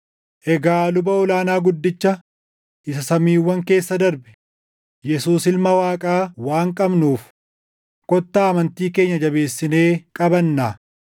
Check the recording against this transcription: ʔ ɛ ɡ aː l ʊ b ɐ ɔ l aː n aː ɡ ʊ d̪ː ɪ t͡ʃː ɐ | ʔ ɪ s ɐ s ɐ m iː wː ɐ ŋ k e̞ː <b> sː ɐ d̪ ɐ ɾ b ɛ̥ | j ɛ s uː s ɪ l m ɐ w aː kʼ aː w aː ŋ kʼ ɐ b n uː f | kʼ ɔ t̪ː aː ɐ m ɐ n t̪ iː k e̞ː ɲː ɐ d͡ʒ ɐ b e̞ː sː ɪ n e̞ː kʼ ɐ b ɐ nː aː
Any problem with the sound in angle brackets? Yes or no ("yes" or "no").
yes